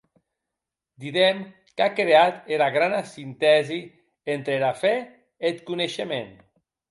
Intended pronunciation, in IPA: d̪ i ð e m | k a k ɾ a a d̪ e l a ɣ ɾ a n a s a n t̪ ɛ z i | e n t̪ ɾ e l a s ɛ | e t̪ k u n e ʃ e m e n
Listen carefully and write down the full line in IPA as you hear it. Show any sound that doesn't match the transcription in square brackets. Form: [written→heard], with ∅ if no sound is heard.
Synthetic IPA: d̪ i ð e m | k a k ɾ [a→e] a [d̪→t̪] e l a ɣ ɾ a n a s [a→i] n t̪ ɛ z i | e n t̪ ɾ e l a [s→f] ɛ | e t̪ k u n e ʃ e m e n

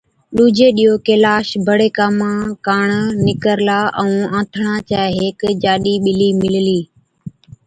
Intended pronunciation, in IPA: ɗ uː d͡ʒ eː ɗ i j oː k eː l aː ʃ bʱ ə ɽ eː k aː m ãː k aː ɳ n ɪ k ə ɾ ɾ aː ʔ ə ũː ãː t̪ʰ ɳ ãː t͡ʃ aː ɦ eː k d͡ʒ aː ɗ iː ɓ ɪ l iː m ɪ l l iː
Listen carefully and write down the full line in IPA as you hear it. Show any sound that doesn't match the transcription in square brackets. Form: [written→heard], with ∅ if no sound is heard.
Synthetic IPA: ɗ uː d͡ʒ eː ɗ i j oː k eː l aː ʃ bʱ ə ɽ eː k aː m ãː k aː ɳ n ɪ k ə ɾ [ɾ→l] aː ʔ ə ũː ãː t̪ʰ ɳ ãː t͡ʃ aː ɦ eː k d͡ʒ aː ɗ iː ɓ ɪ l iː m ɪ l l iː

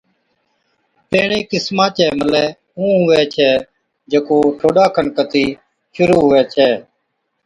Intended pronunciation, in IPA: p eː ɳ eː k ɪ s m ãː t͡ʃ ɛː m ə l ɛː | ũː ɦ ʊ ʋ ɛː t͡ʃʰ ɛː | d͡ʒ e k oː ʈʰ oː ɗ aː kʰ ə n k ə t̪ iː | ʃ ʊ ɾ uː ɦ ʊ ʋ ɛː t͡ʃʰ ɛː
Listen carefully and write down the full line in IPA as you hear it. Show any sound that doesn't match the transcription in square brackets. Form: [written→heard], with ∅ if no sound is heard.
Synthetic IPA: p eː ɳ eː k ɪ s m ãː t͡ʃ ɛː m ə l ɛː | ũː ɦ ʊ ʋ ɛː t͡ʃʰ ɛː | d͡ʒ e k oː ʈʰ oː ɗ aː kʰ ə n k ə t̪ iː | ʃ ʊ ɾ uː ɦ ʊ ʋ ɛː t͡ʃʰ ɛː

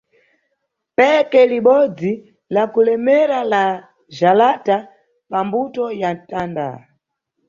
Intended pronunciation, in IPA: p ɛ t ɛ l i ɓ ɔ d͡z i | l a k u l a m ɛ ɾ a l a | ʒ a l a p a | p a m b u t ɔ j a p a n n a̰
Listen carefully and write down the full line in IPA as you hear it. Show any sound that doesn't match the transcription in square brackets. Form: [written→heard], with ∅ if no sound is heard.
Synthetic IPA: p ɛ [t→k] ɛ l i ɓ ɔ d͡z i | l a k u l [a→ɛ] m ɛ ɾ a l a | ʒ a l a [p→t] a | p a m b u t ɔ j a [p→t] a n [n→d] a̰

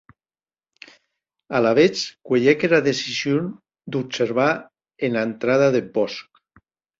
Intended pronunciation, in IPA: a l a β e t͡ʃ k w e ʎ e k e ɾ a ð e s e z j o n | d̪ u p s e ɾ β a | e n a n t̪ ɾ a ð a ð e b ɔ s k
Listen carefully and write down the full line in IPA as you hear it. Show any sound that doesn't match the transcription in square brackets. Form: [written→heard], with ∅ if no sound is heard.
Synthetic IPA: a l a β e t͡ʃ k w e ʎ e k e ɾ a ð e s [e→i] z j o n | d̪ u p s e ɾ β a | e n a n t̪ ɾ a ð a ð e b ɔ s k

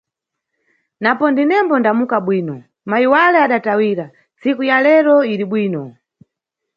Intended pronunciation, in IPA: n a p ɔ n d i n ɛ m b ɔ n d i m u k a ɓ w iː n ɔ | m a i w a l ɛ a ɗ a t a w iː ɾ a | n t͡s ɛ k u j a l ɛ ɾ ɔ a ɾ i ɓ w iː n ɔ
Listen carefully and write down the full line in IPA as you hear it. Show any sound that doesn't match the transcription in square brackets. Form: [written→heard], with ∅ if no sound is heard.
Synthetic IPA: n a p ɔ n d i n ɛ m b ɔ n d [i→a] m u k a ɓ w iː n ɔ | m a i w a l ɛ a ɗ a t a w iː ɾ a | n t͡s [ɛ→i] k u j a l ɛ ɾ ɔ [a→i] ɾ i ɓ w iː n ɔ

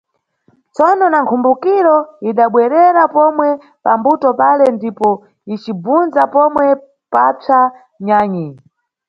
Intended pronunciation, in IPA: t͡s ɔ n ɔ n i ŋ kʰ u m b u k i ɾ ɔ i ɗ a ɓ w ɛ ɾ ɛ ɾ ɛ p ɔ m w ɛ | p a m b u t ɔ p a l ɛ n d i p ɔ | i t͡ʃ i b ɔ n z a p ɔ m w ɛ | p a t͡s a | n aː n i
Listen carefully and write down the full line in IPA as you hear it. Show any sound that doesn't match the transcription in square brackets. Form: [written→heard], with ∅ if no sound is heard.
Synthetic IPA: t͡s ɔ n ɔ n [i→a] ŋ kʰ u m b u k i ɾ ɔ i ɗ a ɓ w ɛ ɾ ɛ ɾ [ɛ→a] p ɔ m w ɛ | p a m b u t ɔ p a l ɛ n d i p ɔ | i t͡ʃ i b [ɔ→u] n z a p ɔ m w ɛ | p a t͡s a | [n→ɲ] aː [n→ɲ] i

